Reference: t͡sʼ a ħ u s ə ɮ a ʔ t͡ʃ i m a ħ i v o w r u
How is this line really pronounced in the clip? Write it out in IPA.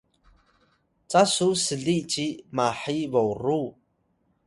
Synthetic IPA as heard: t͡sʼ a s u s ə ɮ i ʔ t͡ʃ i m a ħ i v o w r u